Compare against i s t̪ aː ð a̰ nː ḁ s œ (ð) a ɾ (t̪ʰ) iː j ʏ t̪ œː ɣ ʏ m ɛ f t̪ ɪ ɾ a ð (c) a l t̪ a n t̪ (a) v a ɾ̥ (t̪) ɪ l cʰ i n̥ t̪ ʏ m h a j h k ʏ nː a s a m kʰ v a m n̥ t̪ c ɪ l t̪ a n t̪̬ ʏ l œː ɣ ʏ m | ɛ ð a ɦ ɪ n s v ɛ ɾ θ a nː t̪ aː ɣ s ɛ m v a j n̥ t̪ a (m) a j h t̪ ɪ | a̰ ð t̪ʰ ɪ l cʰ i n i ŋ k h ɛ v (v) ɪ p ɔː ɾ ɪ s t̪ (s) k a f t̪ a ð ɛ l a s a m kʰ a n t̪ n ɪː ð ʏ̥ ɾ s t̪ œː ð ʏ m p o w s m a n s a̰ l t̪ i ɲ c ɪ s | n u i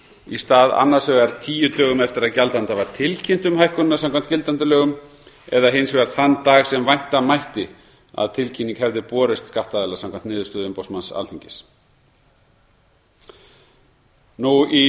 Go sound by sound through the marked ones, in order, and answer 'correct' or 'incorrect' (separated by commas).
incorrect, correct, correct, correct, incorrect, correct, incorrect, correct